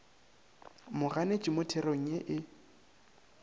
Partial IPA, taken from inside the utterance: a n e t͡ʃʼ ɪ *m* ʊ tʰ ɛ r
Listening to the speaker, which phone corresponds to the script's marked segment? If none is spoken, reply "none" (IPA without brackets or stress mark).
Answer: m